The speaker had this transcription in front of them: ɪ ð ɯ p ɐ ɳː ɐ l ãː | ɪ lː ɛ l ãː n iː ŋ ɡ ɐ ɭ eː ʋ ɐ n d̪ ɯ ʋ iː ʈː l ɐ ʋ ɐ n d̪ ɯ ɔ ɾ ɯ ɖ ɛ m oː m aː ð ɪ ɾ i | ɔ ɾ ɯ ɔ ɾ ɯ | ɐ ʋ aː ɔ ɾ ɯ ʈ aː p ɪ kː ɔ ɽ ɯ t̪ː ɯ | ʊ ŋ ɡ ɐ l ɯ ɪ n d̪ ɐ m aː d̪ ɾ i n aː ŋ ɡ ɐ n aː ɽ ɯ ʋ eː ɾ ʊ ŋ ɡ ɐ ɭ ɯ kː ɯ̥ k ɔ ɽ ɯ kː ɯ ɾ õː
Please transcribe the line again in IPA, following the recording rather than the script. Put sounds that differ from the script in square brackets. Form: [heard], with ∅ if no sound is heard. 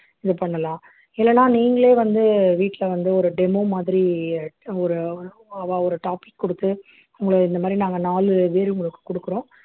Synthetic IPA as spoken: ɪ ð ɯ p ɐ ɳː ɐ l ãː | ɪ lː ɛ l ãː n iː ŋ ɡ ɐ ɭ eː ʋ ɐ n d̪ ɯ ʋ iː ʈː l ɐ ʋ ɐ n d̪ ɯ ɔ ɾ ɯ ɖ ɛ m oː m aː ð ɪ ɾ i | ɔ ɾ ɯ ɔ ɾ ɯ | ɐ ʋ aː ɔ ɾ ɯ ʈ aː p ɪ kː ɔ ɽ ɯ t̪ː ɯ | ʊ ŋ ɡ ɐ [ɭ] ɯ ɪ n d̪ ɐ m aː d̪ ɾ i n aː ŋ ɡ ɐ n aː [l] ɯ ʋ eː ɾ ʊ ŋ ɡ ɐ ɭ ɯ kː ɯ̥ k ɔ ɽ ɯ kː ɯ ɾ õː